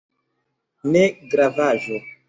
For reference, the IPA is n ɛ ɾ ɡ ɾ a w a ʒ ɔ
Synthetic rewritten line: n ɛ ɡ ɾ a v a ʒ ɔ